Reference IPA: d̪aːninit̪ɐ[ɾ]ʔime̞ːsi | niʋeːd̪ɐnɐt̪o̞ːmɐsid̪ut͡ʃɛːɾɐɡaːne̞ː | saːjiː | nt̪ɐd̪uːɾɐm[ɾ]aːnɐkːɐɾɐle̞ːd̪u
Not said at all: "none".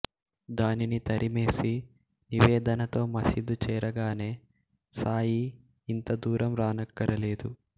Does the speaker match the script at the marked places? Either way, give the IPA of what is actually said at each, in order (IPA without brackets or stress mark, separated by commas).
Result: ɾ, ɾ